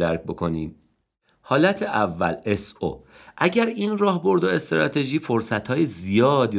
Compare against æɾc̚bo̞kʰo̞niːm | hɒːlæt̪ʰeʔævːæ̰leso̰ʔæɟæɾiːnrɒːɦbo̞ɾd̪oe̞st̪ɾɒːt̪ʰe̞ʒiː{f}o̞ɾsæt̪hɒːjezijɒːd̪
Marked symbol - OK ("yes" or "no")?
yes